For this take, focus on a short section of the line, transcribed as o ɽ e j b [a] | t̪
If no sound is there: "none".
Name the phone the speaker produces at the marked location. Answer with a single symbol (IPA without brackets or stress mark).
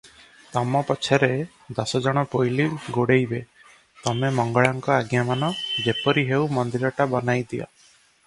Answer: e